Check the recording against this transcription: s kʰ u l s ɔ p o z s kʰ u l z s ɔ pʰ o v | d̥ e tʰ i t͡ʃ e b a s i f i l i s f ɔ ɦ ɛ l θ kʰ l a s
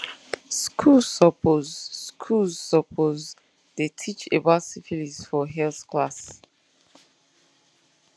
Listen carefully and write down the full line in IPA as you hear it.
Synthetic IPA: s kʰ u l s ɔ p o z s kʰ u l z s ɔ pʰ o z | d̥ e tʰ i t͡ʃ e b a s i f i l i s f ɔ ɦ ɛ l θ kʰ l a s